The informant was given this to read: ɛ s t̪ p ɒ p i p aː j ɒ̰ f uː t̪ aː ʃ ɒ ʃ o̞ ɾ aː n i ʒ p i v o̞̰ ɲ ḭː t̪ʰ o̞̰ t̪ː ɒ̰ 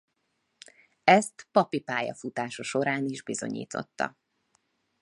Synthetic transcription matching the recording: ɛ s t̪ p ɒ p i p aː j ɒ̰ f u t̪ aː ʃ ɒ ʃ o̞ ɾ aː n i ʒ b i z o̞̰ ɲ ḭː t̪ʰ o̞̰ t̪ː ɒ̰